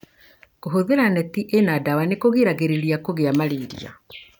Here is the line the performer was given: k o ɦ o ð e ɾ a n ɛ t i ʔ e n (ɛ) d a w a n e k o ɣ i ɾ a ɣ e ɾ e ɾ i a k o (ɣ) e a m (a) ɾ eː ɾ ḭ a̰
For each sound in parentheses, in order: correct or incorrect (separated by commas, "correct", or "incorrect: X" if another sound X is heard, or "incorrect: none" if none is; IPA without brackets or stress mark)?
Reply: incorrect: a, correct, correct